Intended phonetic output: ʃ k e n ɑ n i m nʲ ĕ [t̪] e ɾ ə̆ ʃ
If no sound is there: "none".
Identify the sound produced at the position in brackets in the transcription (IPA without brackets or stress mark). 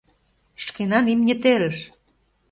t̪